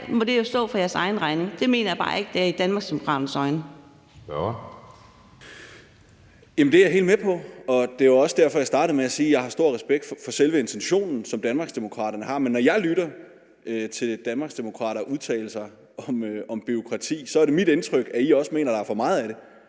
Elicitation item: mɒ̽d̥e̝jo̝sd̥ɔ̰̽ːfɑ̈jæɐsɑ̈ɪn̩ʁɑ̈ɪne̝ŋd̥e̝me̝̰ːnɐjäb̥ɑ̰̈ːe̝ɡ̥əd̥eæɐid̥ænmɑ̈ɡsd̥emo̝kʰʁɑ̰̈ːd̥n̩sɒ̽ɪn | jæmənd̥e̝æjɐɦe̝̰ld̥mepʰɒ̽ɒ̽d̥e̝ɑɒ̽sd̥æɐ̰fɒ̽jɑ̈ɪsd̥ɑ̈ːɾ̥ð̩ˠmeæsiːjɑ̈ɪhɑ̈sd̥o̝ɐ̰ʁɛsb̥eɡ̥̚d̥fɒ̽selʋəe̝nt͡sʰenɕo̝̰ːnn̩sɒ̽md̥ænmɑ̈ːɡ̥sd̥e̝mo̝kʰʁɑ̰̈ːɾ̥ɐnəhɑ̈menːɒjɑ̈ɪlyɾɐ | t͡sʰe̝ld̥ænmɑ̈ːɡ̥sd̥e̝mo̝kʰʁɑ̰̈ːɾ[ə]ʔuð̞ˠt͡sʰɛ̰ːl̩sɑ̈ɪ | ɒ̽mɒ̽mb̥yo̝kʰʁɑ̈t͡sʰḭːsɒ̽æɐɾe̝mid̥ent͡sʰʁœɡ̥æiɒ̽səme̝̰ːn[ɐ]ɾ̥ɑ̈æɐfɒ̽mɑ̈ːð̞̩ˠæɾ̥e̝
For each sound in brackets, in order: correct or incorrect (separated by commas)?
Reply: incorrect, correct